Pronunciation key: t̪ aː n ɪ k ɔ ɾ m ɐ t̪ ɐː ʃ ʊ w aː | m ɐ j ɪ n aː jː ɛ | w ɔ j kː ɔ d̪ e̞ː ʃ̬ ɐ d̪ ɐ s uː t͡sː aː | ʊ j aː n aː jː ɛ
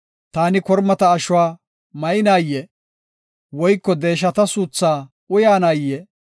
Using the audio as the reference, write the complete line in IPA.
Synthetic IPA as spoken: t̪ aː n ɪ k ɔ ɾ m ɐ t̪ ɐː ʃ ʊ w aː | m ɐ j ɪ n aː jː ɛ | w ɔ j kː ɔ d̪ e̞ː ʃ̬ ɐ t̪ ɐ s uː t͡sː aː | ʊ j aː n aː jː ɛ

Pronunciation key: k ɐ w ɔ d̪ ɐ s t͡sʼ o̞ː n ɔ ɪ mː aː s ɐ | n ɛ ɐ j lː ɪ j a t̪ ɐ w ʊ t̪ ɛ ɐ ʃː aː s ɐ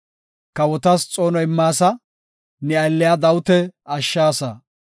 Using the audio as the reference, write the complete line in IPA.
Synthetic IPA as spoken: k ɐ w ɔ t̪ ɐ s t͡sʼ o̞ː n ɔ ɪ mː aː s ɐ | n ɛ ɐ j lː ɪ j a d̪ ɐ w ʊ t̪ ɛ ɐ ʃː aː s ɐ

